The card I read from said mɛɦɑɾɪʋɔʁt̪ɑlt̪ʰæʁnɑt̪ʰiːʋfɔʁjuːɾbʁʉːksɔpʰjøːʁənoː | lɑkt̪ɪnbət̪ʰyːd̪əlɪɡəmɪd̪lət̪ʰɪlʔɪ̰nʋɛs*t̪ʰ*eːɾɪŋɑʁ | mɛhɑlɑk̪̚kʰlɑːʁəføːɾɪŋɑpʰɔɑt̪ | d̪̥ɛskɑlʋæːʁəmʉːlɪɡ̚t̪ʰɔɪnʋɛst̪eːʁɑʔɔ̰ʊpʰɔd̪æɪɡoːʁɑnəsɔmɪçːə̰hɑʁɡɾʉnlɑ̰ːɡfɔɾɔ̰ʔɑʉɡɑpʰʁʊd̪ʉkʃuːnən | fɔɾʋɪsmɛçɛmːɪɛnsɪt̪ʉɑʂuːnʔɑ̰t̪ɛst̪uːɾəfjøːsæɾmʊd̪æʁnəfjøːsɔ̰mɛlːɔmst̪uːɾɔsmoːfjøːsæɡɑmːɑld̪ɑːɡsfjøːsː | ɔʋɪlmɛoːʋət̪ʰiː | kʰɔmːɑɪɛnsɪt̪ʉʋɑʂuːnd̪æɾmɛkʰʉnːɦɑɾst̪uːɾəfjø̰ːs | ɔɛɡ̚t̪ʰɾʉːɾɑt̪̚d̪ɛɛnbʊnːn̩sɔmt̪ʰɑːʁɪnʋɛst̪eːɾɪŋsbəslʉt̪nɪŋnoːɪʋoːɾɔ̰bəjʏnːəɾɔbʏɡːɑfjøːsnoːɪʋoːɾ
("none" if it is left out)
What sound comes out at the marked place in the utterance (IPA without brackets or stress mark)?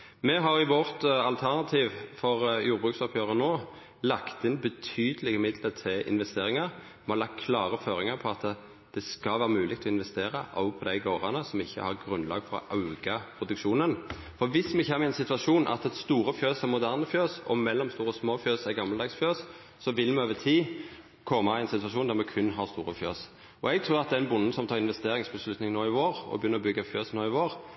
t̪